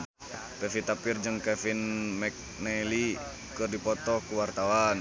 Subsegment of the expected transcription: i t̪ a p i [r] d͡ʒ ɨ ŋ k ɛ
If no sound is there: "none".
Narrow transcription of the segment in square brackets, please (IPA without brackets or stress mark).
r